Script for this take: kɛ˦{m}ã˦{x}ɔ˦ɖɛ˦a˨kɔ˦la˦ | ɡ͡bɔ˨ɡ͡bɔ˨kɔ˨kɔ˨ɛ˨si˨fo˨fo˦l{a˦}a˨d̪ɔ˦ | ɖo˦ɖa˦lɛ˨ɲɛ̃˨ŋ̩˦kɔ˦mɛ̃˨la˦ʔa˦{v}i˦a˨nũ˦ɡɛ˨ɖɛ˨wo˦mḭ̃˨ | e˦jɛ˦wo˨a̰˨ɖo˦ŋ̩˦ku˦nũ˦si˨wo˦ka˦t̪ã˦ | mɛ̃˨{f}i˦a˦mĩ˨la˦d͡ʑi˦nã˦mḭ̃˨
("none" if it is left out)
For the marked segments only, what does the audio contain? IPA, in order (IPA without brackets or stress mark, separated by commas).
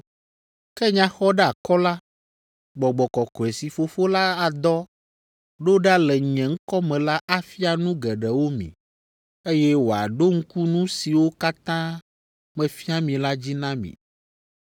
ɲ, x, a˦, f, f